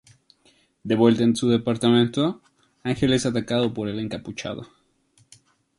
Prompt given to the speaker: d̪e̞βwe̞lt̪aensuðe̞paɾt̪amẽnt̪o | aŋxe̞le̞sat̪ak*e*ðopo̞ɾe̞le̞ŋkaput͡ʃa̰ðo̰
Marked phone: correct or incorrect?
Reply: incorrect